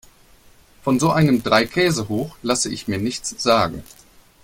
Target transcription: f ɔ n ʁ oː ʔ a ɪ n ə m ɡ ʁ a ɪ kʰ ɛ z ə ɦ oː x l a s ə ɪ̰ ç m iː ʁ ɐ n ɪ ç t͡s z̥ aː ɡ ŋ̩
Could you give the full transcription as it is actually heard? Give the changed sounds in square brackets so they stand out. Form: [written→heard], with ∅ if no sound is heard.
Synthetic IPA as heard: f ɔ n [ʁ→z] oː ʔ a ɪ n ə m [ɡ→d] ʁ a ɪ kʰ [ɛ→ɛː] z ə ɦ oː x l a s ə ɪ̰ ç m iː [ʁ→∅] ɐ n ɪ ç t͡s z̥ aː ɡ ŋ̩